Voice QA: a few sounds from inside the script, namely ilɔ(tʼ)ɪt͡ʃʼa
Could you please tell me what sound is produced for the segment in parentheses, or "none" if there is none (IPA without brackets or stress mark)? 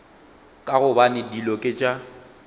kʼ